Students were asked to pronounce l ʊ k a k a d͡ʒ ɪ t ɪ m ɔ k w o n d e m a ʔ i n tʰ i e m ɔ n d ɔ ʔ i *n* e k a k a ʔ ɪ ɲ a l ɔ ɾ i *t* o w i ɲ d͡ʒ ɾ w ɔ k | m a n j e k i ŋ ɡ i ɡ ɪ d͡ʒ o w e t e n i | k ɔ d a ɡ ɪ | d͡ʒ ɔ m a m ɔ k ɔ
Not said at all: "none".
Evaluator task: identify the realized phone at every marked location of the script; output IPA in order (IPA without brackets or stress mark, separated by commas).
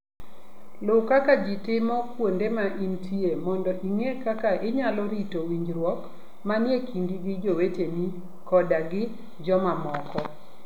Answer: ŋ, t